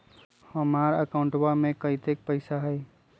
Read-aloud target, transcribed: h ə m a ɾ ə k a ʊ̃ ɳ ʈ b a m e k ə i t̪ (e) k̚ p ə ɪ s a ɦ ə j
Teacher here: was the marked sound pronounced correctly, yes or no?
yes